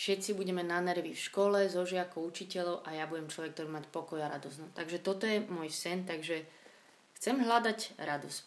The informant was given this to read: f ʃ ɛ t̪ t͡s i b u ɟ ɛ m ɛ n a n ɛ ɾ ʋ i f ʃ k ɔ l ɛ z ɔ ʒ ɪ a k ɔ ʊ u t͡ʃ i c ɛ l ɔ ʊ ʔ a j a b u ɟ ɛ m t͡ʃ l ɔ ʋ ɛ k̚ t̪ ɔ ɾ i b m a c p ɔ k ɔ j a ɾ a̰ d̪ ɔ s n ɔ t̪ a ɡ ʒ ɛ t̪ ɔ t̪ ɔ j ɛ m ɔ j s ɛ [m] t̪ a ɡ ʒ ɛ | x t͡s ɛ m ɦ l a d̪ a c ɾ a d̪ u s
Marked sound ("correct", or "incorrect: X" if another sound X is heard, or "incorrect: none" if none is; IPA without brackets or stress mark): incorrect: n